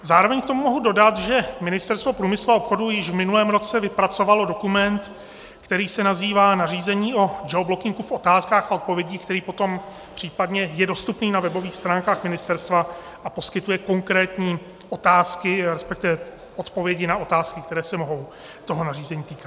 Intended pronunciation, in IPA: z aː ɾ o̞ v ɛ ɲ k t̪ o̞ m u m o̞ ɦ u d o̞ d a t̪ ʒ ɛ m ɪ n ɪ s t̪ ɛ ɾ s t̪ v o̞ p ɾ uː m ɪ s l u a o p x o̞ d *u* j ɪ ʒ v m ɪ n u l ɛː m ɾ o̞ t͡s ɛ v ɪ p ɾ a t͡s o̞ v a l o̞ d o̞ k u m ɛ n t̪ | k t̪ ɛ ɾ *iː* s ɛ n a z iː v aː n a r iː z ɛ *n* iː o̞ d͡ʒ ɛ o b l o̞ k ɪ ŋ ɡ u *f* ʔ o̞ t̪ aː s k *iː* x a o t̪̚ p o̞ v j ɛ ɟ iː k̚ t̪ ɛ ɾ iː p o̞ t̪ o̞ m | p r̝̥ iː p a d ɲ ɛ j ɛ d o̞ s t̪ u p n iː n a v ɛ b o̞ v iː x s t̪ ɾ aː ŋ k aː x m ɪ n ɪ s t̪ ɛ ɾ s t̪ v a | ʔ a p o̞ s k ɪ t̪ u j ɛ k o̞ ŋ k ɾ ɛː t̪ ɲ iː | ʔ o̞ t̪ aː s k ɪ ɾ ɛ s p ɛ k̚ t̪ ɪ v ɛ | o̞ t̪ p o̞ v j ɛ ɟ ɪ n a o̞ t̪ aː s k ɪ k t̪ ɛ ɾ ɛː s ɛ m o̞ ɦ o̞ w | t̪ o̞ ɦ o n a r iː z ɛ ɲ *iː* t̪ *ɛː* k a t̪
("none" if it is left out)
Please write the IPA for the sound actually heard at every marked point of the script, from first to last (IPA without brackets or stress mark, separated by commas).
u, iː, ɲ, f, aː, iː, iː